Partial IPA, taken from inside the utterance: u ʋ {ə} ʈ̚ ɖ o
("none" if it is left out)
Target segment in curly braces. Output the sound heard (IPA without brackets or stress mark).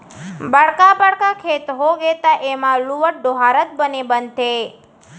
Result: ə